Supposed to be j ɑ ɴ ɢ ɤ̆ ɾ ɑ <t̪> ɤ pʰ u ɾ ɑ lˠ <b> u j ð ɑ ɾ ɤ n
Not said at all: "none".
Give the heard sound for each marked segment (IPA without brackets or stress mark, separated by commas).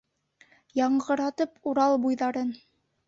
t̪, b